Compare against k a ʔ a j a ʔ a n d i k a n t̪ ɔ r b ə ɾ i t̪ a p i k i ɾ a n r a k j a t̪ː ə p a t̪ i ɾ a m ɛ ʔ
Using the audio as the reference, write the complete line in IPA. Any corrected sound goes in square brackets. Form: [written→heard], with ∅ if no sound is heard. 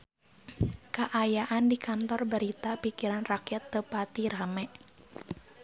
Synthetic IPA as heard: k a ʔ a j a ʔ a n d i k a n t̪ ɔ r b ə ɾ i t̪ a p i k i ɾ a n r a k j a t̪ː ə p a t̪ i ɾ a m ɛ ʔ